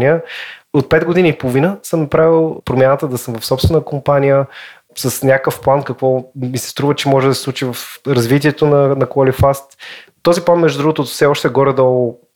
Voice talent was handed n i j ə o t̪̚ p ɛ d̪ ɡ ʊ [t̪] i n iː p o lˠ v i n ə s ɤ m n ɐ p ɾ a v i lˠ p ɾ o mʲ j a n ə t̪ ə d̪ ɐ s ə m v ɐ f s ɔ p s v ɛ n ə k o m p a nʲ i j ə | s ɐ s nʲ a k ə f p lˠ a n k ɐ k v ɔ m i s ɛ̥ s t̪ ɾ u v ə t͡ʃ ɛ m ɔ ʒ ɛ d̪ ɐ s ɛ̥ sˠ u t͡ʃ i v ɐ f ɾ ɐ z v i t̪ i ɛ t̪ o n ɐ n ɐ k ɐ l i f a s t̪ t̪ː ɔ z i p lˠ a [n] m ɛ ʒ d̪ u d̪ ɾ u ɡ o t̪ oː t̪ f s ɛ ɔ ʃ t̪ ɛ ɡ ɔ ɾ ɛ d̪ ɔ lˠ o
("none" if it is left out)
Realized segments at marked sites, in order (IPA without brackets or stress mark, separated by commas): d̪, n